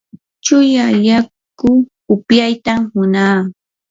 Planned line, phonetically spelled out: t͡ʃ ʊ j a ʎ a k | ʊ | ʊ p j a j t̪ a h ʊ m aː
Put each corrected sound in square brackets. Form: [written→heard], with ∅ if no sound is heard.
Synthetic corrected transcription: t͡ʃ ʊ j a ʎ a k | ʊ | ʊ p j a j t̪ a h ʊ [m→n] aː